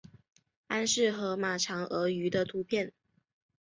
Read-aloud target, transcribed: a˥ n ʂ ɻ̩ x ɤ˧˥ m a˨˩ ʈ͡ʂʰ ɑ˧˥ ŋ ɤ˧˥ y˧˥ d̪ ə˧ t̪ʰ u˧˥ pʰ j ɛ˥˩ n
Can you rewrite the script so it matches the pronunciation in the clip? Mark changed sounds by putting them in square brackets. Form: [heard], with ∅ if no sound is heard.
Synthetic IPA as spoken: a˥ n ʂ ɻ̩ x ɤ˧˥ m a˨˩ ʈ͡ʂʰ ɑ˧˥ ŋ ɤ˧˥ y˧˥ d̪ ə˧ t̪ʰ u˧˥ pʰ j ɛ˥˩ n